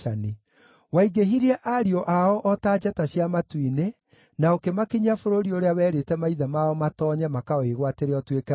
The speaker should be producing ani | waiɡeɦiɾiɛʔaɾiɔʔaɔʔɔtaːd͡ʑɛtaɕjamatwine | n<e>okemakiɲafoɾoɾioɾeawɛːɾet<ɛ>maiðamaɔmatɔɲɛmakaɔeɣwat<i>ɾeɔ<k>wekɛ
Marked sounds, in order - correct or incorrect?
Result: incorrect: a, correct, incorrect: e, incorrect: t

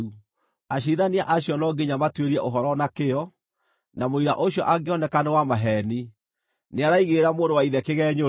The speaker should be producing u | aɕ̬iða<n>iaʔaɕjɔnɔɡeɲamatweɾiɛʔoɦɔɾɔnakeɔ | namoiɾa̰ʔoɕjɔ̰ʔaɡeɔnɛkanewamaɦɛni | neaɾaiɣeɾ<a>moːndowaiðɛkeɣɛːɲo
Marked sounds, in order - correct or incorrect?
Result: correct, correct

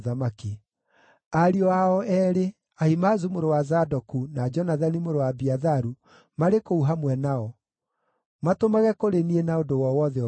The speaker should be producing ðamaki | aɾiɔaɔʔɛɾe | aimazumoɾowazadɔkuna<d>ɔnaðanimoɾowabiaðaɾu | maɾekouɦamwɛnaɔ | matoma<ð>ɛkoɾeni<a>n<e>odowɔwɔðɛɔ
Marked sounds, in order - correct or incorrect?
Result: incorrect: d͡ʒ, incorrect: ɣ, incorrect: e, incorrect: a

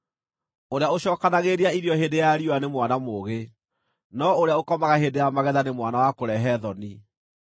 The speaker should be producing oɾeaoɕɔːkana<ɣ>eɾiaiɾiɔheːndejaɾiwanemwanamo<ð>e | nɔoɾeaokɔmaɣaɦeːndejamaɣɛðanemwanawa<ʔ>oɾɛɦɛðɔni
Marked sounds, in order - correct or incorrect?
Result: correct, incorrect: ɣ, incorrect: k

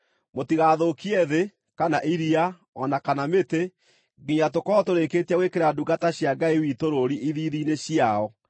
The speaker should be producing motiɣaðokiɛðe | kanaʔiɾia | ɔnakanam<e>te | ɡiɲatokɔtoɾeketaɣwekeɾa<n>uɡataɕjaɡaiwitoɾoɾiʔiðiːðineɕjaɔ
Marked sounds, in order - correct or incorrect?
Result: correct, incorrect: d

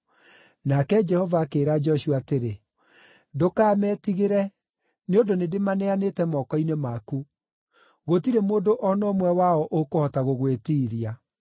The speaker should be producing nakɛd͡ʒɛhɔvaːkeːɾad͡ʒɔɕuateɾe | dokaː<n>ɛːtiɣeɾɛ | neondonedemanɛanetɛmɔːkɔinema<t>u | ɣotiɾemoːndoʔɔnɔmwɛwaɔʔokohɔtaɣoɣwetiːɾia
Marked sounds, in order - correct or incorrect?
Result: incorrect: m, incorrect: k

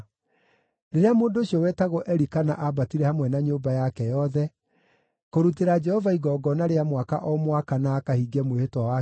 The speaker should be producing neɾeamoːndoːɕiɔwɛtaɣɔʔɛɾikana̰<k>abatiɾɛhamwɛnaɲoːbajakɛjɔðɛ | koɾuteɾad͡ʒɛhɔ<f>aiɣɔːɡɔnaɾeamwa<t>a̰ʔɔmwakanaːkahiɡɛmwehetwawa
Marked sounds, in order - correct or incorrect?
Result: incorrect: ʔ, incorrect: v, incorrect: k

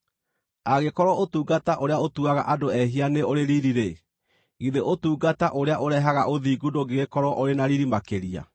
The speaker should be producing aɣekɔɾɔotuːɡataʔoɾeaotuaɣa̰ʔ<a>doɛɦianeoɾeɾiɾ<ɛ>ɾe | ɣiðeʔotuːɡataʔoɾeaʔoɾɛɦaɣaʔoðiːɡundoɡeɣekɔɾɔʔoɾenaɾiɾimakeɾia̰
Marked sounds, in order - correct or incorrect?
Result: correct, incorrect: i

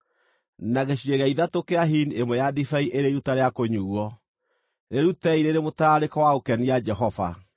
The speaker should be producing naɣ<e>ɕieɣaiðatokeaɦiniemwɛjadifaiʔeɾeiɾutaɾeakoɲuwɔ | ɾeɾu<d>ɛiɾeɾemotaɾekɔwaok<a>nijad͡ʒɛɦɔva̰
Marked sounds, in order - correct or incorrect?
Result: correct, incorrect: t, incorrect: ɛ

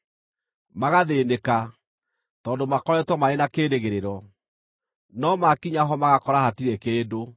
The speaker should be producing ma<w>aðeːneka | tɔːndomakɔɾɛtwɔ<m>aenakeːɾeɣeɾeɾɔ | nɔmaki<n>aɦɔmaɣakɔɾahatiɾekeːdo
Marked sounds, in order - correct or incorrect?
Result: incorrect: ɣ, correct, incorrect: ɲ

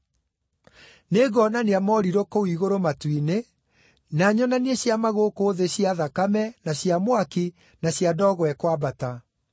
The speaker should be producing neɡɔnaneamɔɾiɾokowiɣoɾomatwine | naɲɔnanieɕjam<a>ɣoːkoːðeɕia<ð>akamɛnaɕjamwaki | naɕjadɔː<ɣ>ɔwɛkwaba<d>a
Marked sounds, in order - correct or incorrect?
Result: correct, correct, correct, incorrect: t

